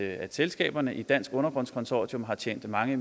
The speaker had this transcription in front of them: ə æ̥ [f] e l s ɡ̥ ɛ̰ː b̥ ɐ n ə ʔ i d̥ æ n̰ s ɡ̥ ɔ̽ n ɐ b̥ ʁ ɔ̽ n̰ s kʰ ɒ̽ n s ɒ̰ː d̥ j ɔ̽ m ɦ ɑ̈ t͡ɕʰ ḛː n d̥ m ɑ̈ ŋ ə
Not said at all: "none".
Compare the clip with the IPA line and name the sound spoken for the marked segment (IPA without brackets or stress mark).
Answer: s